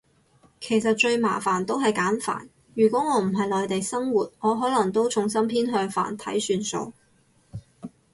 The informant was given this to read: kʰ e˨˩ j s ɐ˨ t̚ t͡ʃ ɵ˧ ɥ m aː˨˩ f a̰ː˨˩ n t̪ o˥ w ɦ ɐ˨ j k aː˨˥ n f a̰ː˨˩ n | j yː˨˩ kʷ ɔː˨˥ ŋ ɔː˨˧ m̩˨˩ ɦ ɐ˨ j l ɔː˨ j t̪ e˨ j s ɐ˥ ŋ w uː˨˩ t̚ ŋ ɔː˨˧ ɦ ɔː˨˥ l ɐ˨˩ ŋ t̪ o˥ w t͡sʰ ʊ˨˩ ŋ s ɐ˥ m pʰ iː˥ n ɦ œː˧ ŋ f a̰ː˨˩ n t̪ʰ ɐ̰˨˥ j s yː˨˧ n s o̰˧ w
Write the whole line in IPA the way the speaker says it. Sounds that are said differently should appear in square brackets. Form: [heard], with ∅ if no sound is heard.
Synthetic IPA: kʰ e˨˩ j s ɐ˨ t̚ t͡ʃ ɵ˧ ɥ m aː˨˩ f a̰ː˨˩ n t̪ o˥ w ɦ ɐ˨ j k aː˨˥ n f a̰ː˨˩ n | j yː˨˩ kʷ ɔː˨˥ ŋ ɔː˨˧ m̩˨˩ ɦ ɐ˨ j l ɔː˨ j t̪ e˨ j s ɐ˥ ŋ w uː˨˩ t̚ ŋ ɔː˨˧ ɦ ɔː˨˥ l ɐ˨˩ ŋ t̪ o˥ w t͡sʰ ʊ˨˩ ŋ s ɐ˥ m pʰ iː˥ n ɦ œː˧ ŋ f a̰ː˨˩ n t̪ʰ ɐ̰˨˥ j s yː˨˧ n s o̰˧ w

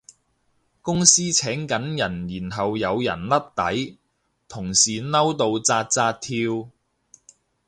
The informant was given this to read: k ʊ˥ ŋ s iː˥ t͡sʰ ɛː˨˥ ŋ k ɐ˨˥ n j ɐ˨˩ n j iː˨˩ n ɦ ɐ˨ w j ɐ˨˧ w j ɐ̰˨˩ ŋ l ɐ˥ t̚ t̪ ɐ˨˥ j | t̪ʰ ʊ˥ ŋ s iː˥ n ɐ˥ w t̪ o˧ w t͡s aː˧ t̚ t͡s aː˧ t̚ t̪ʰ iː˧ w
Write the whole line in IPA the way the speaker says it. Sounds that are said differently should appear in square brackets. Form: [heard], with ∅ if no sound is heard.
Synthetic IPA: k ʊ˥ ŋ s iː˥ t͡sʰ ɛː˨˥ ŋ k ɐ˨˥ n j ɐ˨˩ n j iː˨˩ n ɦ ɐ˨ w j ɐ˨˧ w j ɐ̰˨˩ [n] l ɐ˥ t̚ t̪ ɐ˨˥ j | t̪ʰ [ʊ˨˩] ŋ s [iː˨] n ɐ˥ w t̪ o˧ w t͡s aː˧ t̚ t͡s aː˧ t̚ t̪ʰ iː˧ w

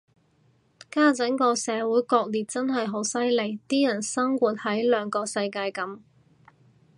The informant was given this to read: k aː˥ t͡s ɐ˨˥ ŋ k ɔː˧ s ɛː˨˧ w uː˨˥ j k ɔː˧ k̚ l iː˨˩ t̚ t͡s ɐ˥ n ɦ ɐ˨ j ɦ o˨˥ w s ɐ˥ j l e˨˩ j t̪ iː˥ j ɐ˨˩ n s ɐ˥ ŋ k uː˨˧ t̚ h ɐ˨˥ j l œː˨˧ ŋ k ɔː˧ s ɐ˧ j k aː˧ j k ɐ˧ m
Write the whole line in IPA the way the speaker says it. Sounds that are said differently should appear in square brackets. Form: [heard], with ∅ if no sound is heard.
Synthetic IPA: k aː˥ t͡s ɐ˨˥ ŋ k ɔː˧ s ɛː˨˧ w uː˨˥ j k ɔː˧ k̚ l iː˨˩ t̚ t͡s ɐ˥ n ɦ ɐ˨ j ɦ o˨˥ w s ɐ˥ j l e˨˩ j t̪ iː˥ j ɐ˨˩ n s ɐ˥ ŋ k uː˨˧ t̚ h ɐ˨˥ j l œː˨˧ ŋ k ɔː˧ s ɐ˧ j k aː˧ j k [ɐ˨˥] m

